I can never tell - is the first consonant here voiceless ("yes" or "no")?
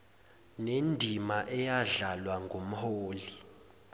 no